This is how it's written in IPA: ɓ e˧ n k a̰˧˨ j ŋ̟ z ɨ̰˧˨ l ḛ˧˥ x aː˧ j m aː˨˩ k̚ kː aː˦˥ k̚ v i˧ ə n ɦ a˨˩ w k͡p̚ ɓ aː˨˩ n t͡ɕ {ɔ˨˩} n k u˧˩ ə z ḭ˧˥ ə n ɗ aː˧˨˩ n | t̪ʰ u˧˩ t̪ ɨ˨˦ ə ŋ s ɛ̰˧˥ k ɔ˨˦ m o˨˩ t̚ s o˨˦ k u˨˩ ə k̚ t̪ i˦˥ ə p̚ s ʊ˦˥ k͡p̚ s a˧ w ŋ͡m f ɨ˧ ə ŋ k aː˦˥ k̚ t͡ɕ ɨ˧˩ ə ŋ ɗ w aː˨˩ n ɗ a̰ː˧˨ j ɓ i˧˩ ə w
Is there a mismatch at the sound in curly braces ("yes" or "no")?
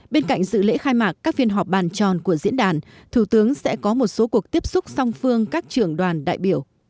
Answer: no